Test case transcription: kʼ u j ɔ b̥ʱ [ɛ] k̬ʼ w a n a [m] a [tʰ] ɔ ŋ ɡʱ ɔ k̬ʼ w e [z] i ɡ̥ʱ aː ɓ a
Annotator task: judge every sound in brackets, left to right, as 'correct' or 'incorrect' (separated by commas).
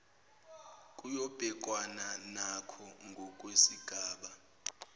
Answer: correct, incorrect, incorrect, incorrect